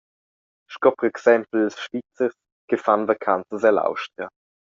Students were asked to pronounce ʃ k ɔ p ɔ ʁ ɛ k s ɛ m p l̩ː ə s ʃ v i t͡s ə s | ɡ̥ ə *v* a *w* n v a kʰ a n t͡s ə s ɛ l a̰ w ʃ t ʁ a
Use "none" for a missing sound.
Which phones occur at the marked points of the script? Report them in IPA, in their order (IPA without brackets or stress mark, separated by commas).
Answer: f, none